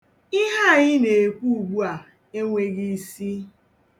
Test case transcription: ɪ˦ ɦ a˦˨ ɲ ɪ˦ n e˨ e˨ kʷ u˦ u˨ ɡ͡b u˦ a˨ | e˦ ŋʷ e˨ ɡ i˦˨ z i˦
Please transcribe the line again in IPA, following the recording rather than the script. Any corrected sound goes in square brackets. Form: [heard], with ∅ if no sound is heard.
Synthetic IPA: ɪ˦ ɦ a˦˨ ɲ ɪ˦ n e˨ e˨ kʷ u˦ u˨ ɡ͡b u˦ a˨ | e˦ ŋʷ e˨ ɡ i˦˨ [s] i˦